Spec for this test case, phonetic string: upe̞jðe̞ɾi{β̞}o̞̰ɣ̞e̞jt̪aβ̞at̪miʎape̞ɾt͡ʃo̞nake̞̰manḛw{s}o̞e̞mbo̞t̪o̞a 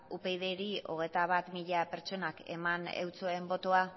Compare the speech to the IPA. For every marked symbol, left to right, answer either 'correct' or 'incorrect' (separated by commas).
incorrect, incorrect